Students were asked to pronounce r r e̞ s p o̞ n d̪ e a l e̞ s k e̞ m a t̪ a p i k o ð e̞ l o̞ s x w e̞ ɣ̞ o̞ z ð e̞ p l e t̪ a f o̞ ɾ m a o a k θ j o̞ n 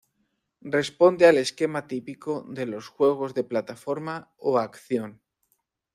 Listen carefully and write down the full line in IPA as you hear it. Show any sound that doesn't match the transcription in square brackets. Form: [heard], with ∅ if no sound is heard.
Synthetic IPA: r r e̞ s p o̞ n d̪ e a l e̞ s k e̞ m a t̪ [i] p i k o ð e̞ l o̞ s x w e̞ ɣ̞ o̞ z ð e̞ p l [a] t̪ a f o̞ ɾ m a o a k θ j o̞ n